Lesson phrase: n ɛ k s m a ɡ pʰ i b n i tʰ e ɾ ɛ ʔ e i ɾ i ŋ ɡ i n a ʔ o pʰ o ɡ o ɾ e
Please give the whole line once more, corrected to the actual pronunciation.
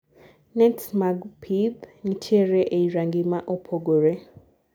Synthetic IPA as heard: n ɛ t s m a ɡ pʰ i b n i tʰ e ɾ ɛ ʔ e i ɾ a ŋ ɡ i m a ʔ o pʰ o ɡ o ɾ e